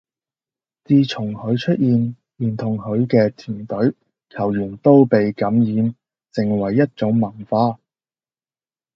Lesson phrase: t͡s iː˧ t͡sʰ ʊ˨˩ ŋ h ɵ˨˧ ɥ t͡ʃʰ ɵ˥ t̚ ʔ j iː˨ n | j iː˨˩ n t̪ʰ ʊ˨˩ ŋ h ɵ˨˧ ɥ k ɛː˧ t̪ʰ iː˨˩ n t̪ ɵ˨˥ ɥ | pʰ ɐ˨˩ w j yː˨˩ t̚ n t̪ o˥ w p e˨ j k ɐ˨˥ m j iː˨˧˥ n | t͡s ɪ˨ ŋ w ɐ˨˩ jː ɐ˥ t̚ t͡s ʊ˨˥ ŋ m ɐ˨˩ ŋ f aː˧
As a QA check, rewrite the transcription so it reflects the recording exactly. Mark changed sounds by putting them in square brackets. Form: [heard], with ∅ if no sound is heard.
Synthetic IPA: t͡s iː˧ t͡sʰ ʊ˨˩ ŋ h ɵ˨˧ ɥ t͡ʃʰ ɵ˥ t̚ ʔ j iː˨ n | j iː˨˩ n t̪ʰ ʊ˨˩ ŋ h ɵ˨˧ ɥ k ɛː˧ t̪ʰ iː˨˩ n t̪ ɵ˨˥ ɥ | [kʰ] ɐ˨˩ w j yː˨˩ [∅] n t̪ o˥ w p e˨ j k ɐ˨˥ m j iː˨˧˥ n | t͡s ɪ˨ ŋ w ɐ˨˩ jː ɐ˥ t̚ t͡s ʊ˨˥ ŋ m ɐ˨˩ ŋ f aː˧

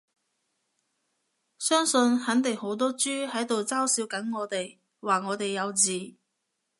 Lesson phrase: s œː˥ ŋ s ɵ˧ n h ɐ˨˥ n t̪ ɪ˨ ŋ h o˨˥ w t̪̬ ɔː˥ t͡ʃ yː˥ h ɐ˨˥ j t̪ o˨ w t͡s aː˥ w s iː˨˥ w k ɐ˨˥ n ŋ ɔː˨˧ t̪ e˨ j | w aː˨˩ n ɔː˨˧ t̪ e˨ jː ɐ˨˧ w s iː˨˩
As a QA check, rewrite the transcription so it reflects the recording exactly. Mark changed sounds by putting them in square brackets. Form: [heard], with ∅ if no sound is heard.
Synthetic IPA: s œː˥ ŋ s ɵ˧ n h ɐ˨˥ n t̪ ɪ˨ ŋ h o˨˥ w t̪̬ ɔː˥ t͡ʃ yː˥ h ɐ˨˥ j t̪ o˨ w t͡s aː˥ w s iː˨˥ w k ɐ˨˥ n ŋ ɔː˨˧ t̪ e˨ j | w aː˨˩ [ŋ] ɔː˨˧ t̪ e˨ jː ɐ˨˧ w [t͡s] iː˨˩

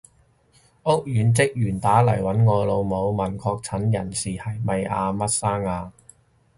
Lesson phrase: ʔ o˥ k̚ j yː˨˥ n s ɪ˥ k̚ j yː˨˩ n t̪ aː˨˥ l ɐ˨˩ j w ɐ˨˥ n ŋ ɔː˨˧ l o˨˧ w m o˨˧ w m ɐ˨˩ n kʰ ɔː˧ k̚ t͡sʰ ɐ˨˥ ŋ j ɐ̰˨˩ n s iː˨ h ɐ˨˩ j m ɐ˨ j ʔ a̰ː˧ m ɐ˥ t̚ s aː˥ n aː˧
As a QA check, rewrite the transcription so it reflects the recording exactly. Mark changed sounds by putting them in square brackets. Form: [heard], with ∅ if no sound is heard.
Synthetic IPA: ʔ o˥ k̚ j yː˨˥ n [t͡s] ɪ˥ k̚ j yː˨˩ n t̪ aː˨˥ l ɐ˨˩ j w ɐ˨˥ n ŋ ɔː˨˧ l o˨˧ w m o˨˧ w m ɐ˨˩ n kʰ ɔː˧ k̚ t͡sʰ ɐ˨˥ [n] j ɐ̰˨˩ n s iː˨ h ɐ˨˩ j m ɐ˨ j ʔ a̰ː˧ m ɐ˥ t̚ s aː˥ [ŋ] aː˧

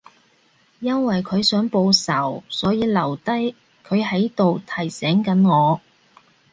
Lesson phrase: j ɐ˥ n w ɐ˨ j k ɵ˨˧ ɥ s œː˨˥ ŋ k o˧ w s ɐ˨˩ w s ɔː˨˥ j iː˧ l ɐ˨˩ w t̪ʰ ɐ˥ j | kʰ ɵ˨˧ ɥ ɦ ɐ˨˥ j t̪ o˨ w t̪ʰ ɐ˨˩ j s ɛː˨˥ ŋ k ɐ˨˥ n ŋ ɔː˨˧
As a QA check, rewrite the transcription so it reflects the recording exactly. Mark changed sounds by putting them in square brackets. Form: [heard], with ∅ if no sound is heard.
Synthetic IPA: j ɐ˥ n w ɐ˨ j [kʰ] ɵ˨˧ ɥ s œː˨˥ ŋ [p] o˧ w s ɐ˨˩ w s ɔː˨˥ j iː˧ l ɐ˨˩ w [t̪] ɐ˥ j | kʰ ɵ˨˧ ɥ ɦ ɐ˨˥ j t̪ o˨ w t̪ʰ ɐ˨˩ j s ɛː˨˥ ŋ k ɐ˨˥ n ŋ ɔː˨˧

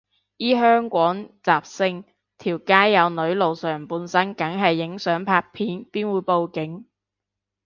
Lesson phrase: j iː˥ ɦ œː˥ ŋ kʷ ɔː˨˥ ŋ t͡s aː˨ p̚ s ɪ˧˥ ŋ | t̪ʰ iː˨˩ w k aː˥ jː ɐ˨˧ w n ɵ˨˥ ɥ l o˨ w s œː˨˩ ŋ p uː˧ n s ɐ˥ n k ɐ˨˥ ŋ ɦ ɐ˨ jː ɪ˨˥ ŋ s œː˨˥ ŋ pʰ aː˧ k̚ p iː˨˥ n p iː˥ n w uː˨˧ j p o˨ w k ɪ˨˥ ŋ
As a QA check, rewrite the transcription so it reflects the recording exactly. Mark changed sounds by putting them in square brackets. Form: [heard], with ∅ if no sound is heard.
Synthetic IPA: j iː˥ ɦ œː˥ ŋ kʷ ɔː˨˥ ŋ t͡s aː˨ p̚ s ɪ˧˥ ŋ | t̪ʰ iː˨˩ w k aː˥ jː ɐ˨˧ w n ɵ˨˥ ɥ l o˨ w s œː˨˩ ŋ p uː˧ n s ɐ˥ n k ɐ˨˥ ŋ ɦ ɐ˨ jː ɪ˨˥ ŋ s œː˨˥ ŋ pʰ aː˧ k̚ [pʰ] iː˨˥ n p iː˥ n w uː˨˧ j p o˨ w k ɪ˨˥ ŋ

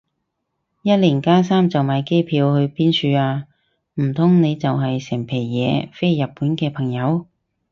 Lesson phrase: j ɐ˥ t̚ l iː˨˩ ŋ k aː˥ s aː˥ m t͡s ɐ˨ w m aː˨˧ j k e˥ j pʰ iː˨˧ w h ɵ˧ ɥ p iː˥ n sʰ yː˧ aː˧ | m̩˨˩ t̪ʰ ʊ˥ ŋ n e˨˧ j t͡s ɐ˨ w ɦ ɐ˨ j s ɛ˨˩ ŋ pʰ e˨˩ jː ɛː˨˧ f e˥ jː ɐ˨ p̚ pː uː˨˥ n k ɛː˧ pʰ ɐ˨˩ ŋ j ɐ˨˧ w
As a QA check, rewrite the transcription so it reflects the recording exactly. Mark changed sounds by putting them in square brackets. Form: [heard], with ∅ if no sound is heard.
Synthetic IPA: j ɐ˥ t̚ l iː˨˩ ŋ k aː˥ s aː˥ m t͡s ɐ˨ w m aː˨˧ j k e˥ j pʰ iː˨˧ w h ɵ˧ ɥ p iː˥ n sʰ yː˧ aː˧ | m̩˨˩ t̪ʰ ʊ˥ ŋ n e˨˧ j t͡s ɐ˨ w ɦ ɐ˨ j s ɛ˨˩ ŋ pʰ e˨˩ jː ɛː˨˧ f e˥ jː ɐ˨ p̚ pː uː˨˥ n k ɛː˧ pʰ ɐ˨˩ ŋ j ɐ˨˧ w

